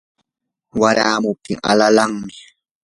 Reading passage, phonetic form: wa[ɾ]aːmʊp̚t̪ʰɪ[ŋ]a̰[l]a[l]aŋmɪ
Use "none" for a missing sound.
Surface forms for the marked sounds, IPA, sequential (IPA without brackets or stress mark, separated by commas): ɾ, ŋ, l, l